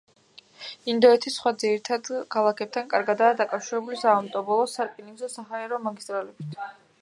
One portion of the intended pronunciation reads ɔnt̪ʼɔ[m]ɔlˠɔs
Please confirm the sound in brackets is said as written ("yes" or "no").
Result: no